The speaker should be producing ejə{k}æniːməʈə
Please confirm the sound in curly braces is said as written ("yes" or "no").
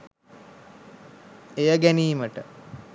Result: no